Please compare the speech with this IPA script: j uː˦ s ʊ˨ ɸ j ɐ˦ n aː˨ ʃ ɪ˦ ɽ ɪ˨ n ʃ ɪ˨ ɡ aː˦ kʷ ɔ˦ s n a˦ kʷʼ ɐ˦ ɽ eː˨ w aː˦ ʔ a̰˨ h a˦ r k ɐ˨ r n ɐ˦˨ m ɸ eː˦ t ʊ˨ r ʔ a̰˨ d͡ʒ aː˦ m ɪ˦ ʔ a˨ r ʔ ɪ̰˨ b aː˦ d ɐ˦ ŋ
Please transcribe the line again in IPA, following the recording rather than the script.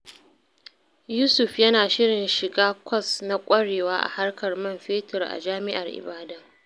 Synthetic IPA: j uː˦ s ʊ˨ ɸ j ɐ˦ n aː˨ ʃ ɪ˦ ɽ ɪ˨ n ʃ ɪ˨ ɡ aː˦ kʷ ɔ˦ s n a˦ kʷʼ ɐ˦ ɽ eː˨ w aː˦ ʔ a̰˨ h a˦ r k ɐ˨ r m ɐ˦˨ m ɸ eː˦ t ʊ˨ r ʔ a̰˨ d͡ʒ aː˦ m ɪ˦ ʔ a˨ r ʔ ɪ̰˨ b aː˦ d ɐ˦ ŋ